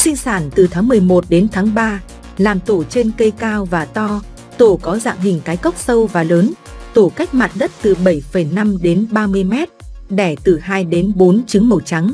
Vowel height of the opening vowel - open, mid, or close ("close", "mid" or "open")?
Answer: close